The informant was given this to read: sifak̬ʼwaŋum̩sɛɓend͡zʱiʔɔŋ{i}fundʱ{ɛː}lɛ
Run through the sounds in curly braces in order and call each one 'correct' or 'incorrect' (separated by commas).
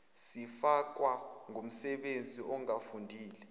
incorrect, incorrect